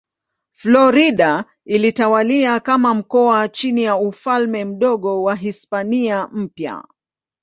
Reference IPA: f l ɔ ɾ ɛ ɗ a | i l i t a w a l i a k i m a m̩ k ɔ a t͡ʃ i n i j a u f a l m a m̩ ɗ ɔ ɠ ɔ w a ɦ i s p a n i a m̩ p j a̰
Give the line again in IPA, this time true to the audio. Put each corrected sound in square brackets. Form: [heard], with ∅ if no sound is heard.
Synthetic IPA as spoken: f l ɔ ɾ [i] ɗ a | i l i t a w a l i a k [a] m a m̩ k ɔ a t͡ʃ i n i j a u f a l m [ɛ] m̩ ɗ ɔ ɠ ɔ w a ɦ i s p a n i a m̩ p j a̰